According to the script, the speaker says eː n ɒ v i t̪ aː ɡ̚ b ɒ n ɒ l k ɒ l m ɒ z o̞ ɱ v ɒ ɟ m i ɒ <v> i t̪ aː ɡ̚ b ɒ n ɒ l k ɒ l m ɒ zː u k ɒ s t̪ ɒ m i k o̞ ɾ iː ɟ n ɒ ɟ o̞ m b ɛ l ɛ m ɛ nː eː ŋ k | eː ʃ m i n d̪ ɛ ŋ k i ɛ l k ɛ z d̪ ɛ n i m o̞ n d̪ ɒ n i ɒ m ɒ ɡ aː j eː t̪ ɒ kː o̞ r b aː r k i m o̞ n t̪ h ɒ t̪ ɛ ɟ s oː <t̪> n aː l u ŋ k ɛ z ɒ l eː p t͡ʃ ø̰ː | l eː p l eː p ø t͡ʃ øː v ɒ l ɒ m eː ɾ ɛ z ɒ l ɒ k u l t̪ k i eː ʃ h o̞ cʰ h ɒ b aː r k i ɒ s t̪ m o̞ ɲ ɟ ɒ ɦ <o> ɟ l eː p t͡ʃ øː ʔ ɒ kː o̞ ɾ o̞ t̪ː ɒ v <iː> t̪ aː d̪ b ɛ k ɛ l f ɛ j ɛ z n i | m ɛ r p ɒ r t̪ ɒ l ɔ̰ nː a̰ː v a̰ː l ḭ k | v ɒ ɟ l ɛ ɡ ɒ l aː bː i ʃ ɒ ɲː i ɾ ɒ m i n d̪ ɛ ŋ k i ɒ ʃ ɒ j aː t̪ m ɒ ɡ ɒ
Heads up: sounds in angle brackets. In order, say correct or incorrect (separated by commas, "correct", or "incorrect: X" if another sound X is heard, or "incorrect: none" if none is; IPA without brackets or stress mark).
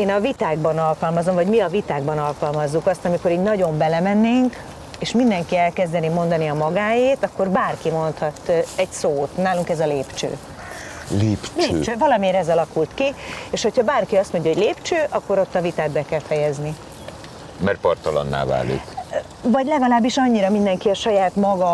correct, correct, correct, incorrect: i